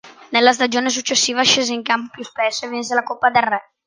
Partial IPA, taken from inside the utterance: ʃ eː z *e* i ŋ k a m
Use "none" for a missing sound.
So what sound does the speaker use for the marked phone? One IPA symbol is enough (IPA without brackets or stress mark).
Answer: e